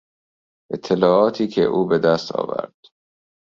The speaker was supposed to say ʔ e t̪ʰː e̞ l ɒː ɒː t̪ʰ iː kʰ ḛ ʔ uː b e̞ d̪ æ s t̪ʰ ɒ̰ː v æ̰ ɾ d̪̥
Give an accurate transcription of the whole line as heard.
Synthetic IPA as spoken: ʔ e t̪ʰː e̞ l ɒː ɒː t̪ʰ iː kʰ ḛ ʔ uː b e̞ d̪ æ s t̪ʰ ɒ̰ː v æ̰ ɾ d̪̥

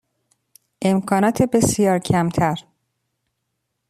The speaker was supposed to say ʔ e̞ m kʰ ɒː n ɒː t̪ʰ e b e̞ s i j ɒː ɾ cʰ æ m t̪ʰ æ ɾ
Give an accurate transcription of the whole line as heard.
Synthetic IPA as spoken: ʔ e̞ m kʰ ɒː n ɒː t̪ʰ e b e̞ s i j ɒː ɾ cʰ æ m t̪ʰ æ ɾ

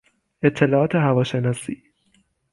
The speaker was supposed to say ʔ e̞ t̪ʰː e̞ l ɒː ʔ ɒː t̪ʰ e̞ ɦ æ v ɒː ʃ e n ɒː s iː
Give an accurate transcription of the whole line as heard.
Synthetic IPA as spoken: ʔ e̞ t̪ʰː e̞ l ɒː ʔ ɒː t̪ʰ e̞ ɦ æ v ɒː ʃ e n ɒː s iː

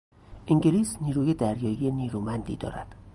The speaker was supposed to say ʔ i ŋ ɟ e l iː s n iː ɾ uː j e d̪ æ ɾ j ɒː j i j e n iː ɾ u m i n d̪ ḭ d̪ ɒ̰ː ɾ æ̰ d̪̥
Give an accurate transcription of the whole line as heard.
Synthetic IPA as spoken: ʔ i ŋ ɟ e l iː s n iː ɾ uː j e d̪ æ ɾ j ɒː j i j e n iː ɾ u m æ n d̪ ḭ d̪ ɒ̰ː ɾ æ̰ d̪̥

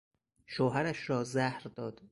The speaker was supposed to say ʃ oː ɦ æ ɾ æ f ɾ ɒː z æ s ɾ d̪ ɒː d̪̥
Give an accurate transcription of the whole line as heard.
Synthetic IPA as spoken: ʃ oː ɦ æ ɾ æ ʃ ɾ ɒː z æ h ɾ d̪ ɒː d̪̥

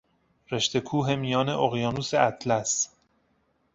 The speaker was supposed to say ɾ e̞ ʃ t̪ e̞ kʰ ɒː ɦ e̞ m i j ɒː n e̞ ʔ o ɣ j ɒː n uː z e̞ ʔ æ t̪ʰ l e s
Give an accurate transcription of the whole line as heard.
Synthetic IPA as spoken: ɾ e̞ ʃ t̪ e̞ kʰ uː ɦ e̞ m i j ɒː n e̞ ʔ o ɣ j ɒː n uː s e̞ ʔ æ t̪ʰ l æ s

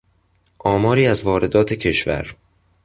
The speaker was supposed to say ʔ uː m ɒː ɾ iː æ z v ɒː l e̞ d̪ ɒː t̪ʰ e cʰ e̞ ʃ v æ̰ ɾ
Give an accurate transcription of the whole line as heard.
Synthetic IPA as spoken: ʔ ɒː m ɒː ɾ iː æ z v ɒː ɾ e̞ d̪ ɒː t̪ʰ e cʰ e̞ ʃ v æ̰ ɾ

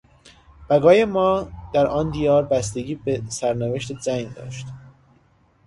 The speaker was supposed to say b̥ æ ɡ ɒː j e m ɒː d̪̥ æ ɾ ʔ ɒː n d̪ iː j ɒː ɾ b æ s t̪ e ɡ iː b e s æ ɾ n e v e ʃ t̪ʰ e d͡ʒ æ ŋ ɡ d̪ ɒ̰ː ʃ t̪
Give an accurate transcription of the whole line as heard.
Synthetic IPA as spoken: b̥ æ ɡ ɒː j e m ɒː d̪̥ æ ɾ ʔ ɒː n d̪ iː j ɒː ɾ b æ s t̪ e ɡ iː b e s æ ɾ n e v e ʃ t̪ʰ e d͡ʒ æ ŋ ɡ d̪ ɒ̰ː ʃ t̪

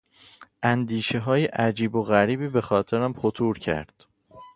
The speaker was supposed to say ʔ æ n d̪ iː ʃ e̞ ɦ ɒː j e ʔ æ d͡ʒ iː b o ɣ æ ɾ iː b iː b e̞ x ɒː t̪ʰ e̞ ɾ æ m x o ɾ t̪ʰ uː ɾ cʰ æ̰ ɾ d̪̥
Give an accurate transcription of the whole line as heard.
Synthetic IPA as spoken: ʔ æ n d̪ iː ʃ e̞ ɦ ɒː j e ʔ æ d͡ʒ iː b o ɣ æ ɾ iː b iː b e̞ x ɒː t̪ʰ e̞ ɾ æ m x o t̪ʰ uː ɾ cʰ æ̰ ɾ d̪̥

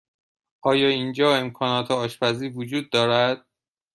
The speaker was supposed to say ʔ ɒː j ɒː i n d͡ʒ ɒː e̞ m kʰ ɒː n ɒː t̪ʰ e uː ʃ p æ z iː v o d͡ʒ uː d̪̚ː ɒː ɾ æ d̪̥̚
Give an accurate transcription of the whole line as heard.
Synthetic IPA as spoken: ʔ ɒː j ɒː i n d͡ʒ ɒː e̞ m kʰ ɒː n ɒː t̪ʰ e ɒː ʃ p æ z iː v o d͡ʒ uː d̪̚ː ɒː ɾ æ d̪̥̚

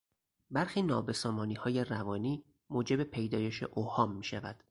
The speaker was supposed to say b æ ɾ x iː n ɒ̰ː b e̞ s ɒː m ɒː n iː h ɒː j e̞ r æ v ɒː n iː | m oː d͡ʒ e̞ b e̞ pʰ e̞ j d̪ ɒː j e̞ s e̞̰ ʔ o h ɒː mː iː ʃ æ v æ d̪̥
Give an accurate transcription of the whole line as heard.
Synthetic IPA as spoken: b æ ɾ x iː n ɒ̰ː b e̞ s ɒː m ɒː n iː h ɒː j e̞ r æ v ɒː n iː | m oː d͡ʒ e̞ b e̞ pʰ e̞ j d̪ ɒː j e̞ ʃ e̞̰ ʔ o h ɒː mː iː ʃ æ v æ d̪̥

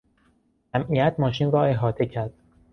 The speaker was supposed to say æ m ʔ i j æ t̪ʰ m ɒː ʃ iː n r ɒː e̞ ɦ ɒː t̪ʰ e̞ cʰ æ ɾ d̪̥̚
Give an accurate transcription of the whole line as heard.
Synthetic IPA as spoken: æ m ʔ i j æ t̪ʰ m ɒː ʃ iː n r ɒː e̞ ɦ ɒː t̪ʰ e̞ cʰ æ ɾ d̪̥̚

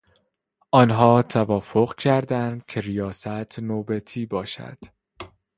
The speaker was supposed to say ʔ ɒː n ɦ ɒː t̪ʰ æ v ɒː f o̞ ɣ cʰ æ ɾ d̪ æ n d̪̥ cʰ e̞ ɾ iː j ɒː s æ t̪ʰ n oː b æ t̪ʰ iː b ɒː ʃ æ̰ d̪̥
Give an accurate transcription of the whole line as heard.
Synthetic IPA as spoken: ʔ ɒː n ɦ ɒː t̪ʰ æ v ɒː f o̞ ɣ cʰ æ ɾ d̪ æ n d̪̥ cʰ e̞ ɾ i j ɒː s æ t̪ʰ n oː b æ t̪ʰ iː b ɒː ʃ æ̰ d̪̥

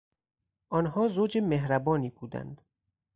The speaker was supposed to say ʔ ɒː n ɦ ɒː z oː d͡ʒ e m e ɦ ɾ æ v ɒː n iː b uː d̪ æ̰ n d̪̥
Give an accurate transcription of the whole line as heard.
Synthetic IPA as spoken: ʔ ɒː n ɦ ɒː z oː d͡ʒ e m e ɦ ɾ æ b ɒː n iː b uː d̪ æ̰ n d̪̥

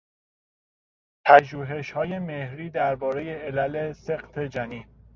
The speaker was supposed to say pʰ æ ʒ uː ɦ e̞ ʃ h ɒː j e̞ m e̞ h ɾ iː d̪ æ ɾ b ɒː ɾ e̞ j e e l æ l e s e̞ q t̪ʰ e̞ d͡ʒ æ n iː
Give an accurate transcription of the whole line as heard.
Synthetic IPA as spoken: pʰ æ ʒ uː ɦ e̞ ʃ h ɒː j e̞ m e̞ h ɾ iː d̪ æ ɾ b ɒː ɾ e̞ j e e l æ l e s e̞ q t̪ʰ e̞ d͡ʒ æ n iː

